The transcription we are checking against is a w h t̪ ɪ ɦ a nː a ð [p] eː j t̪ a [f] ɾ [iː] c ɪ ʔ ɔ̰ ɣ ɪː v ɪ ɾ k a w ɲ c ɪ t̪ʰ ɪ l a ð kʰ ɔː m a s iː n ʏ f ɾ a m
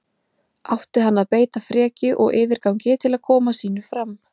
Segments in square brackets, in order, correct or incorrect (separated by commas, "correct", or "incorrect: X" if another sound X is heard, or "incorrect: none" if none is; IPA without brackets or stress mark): correct, correct, incorrect: ɛː